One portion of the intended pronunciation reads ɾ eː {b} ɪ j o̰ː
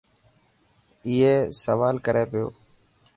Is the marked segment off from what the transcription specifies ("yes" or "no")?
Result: yes